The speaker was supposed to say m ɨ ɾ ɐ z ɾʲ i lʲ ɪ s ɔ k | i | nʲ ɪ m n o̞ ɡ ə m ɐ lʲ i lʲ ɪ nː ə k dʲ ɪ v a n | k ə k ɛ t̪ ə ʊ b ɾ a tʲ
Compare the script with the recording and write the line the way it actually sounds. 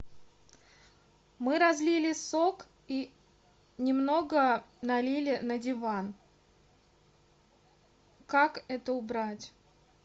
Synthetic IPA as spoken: m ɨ ɾ ɐ z lʲ i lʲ ɪ s o k | i | nʲ ɪ m n o̞ ɡ ə n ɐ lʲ i lʲ ɪ n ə dʲ ɪ v a n | k a k ɛ t̪ ə ʊ b ɾ a tʲ